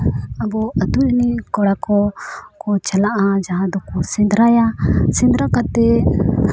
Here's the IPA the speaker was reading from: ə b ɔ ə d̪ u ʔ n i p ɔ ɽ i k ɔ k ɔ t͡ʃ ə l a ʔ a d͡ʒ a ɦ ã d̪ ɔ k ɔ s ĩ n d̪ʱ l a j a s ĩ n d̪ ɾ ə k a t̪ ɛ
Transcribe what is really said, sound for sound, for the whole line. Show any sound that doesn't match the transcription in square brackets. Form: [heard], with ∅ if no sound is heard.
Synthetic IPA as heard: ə b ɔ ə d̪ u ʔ n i [k] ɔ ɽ [a] k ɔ k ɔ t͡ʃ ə l a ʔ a d͡ʒ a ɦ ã d̪ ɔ k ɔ s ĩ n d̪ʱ [ɾ] a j a s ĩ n d̪ ɾ [a] k a t̪ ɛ